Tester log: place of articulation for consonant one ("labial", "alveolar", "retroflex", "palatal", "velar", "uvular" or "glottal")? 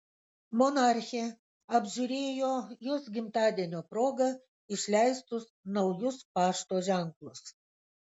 labial